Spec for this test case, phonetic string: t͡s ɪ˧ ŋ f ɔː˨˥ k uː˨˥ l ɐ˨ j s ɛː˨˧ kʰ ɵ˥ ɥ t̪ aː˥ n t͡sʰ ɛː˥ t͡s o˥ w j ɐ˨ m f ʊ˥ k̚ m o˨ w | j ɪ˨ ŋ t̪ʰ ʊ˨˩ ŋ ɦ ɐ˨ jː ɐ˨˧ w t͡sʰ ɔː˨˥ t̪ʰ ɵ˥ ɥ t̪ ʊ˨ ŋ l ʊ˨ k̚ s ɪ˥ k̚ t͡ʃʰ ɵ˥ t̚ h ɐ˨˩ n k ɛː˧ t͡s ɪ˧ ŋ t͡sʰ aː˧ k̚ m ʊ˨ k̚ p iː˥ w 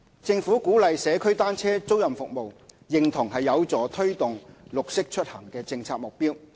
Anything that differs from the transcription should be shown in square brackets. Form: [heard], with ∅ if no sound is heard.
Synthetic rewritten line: t͡s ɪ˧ ŋ f [uː˨˥] k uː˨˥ l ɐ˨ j s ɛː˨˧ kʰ ɵ˥ ɥ t̪ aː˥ n t͡sʰ ɛː˥ t͡s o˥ w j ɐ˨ m f [ʊ˨] k̚ m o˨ w | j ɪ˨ ŋ t̪ʰ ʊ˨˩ ŋ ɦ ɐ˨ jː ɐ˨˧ w [t͡s] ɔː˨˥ t̪ʰ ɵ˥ ɥ t̪ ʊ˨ ŋ l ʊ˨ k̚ s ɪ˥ k̚ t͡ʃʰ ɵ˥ t̚ h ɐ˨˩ [ŋ] k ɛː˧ t͡s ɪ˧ ŋ t͡sʰ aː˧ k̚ m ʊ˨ k̚ p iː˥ w